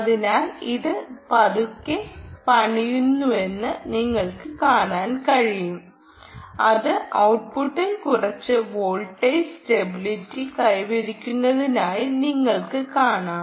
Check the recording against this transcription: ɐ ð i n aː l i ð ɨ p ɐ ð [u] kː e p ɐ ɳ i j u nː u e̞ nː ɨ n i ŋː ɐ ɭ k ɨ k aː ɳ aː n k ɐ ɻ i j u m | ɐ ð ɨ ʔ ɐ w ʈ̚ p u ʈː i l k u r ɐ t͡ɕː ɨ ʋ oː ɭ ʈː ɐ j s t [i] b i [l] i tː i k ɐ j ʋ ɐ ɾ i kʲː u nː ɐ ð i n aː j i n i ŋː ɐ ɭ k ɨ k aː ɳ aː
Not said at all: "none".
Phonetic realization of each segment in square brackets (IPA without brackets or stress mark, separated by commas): u, e, l